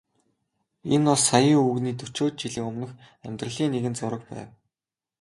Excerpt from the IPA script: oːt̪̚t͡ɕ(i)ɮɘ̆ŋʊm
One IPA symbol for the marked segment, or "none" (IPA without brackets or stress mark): i